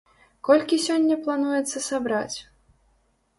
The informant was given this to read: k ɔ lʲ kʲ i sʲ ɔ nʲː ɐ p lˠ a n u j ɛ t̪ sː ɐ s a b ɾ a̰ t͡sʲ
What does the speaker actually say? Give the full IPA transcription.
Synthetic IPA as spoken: k ɔ lʲ kʲ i sʲ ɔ nʲː ɐ p lˠ a n u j ɛ t̪ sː ɐ s a b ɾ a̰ t͡sʲ